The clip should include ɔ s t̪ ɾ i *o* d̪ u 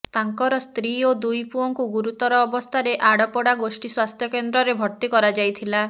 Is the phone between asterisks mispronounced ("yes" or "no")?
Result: no